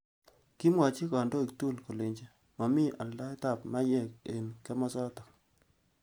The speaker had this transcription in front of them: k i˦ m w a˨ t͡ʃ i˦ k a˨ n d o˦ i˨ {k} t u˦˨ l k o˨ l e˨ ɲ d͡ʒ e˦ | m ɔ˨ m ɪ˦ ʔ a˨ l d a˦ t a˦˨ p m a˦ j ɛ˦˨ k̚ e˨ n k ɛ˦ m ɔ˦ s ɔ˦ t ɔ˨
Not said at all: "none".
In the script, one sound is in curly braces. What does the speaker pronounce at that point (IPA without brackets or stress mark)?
k